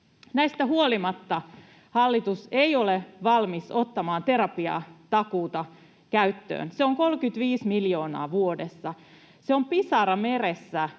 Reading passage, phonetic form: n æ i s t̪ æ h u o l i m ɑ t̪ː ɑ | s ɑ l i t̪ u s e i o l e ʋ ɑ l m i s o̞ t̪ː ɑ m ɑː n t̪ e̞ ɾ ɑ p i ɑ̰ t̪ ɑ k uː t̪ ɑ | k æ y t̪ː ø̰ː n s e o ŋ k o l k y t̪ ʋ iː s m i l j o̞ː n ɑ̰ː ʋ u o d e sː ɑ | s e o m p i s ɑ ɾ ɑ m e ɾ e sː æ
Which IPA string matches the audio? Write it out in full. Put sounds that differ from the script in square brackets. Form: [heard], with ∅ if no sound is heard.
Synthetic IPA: n æ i s t̪ æ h u o l i m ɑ t̪ː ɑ | [h] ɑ [lː] i t̪ u s e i o l e ʋ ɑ l m i s o̞ t̪ː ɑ m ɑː n t̪ e̞ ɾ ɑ p i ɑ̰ t̪ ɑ k uː t̪ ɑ | k æ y t̪ː ø̰ː n s e o ŋ k o l k y t̪ ʋ iː s m i l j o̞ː n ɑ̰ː ʋ u o d e sː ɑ | s e o m p i s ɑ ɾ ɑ m e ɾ e sː æ